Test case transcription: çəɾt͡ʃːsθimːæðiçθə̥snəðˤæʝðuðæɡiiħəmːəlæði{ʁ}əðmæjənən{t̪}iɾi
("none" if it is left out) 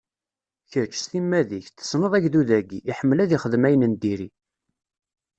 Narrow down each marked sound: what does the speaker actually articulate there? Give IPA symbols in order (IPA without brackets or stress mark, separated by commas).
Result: χ, d̪